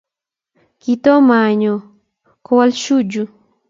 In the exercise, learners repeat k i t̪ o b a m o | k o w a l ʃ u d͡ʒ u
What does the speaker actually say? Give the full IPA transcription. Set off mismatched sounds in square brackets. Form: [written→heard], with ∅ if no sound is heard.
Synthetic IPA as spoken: k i t̪ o [b→m] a [m→ɲ] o | k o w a l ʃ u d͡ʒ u